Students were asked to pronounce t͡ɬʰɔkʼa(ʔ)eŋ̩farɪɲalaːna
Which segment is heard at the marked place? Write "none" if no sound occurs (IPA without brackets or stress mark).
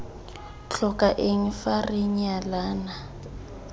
ʔ